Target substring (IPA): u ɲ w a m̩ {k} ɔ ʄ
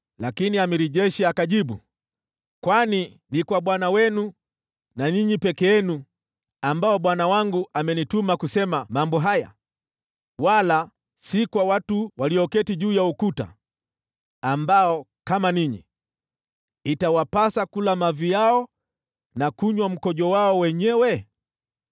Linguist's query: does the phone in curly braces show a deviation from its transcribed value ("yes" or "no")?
no